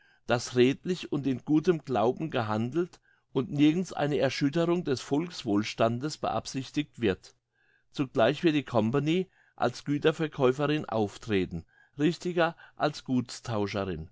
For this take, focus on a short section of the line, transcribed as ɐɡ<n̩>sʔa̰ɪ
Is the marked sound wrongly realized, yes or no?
no